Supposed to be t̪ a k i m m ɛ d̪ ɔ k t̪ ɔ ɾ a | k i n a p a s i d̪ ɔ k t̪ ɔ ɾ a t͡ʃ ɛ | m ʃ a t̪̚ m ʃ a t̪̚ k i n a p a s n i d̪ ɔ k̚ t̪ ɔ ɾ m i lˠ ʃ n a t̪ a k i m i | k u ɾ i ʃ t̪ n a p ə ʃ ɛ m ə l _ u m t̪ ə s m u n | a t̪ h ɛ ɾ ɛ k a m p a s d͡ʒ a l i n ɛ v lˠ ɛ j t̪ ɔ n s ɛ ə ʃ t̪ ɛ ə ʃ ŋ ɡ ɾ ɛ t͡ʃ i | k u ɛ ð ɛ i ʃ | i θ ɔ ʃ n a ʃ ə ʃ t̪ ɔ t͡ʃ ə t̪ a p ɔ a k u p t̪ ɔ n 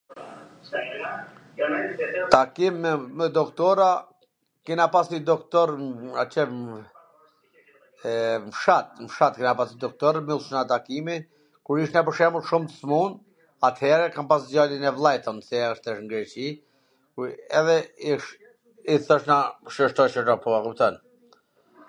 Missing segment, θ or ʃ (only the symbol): ʃ